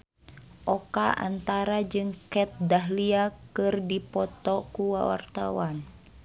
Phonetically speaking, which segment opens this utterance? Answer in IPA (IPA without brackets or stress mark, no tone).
ʔ